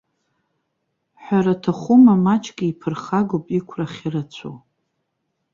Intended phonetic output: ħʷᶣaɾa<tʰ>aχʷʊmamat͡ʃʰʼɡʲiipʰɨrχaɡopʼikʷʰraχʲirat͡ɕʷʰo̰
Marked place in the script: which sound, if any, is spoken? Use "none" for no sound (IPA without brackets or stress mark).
tʰ